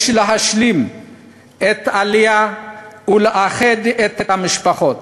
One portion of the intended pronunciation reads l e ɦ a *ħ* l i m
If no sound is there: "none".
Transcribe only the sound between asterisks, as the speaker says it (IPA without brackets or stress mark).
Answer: ʃ